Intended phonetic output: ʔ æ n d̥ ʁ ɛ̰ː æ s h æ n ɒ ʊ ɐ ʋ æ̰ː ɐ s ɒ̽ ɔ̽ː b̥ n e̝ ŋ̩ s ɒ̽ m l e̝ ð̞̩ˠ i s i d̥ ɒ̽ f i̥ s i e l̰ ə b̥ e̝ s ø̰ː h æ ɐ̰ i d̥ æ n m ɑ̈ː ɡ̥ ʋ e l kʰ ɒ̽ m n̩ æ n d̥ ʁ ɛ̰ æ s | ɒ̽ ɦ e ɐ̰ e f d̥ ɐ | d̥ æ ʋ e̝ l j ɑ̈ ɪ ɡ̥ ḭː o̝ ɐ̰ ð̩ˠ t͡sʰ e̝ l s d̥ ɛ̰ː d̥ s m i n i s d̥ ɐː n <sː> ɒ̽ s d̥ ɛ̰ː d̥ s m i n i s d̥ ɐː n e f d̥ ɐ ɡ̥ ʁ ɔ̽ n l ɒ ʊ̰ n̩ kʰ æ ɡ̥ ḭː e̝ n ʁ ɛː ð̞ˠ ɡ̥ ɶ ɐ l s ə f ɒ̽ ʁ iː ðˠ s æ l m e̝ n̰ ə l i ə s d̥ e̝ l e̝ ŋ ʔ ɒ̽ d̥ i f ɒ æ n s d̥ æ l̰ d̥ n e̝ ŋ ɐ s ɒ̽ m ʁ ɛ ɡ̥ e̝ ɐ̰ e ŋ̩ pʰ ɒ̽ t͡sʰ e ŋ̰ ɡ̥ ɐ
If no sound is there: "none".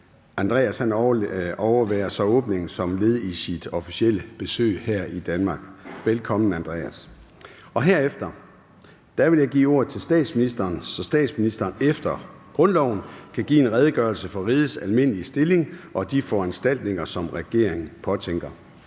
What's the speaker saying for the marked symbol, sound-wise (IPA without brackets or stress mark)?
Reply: s